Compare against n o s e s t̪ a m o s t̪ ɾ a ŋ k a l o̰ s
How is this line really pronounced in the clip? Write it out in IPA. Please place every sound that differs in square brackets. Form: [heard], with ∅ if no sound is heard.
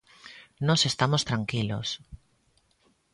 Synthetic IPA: n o s e s t̪ a m o s t̪ ɾ a ŋ k [i] l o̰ s